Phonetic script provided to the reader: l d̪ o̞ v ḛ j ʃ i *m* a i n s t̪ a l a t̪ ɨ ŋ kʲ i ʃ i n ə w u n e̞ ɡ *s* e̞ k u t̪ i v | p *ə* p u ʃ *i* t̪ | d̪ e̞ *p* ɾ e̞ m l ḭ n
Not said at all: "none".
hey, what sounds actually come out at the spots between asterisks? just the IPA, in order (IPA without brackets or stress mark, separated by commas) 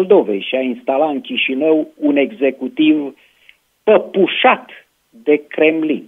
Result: none, z, ə, a, k